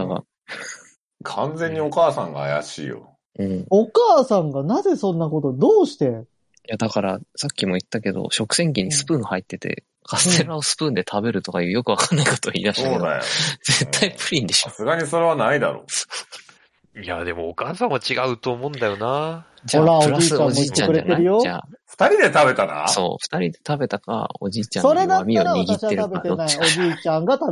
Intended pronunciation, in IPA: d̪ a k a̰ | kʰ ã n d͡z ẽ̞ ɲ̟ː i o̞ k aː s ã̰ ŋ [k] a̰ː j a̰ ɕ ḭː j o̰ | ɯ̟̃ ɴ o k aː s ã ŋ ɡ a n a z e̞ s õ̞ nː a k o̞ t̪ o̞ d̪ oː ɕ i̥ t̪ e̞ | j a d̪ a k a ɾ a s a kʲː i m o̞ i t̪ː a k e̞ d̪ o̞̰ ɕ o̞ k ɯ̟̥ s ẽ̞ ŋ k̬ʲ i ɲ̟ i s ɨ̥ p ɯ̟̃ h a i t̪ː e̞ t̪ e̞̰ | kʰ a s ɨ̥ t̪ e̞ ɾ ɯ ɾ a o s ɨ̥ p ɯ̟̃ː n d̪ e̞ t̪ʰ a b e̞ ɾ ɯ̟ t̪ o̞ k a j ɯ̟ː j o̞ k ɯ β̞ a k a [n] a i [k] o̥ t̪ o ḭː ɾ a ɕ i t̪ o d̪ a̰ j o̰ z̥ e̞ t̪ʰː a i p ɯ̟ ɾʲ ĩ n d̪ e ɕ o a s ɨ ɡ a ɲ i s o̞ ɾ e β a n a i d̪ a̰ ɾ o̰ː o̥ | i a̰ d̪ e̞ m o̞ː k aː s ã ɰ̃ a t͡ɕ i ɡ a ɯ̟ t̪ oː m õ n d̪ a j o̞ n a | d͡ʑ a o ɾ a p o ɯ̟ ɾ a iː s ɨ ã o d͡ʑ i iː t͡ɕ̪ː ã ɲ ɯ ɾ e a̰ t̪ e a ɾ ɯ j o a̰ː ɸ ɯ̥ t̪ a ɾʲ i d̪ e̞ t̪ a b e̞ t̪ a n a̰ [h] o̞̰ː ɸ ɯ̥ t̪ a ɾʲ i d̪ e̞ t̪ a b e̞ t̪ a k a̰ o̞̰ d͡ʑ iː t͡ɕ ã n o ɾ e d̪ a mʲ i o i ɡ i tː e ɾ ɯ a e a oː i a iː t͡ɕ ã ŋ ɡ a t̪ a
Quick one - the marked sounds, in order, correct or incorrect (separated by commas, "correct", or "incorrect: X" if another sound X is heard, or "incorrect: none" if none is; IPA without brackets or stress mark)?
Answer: incorrect: ɡ, incorrect: nː, correct, incorrect: s